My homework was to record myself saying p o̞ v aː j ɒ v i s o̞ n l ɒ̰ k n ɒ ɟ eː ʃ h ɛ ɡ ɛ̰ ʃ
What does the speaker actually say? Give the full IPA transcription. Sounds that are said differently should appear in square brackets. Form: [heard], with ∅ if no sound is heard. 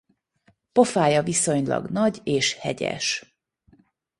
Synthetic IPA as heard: p o̞ [f] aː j ɒ v i s o̞ [ɲ] l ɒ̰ [ɡ] n ɒ ɟ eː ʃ h ɛ [ɟ] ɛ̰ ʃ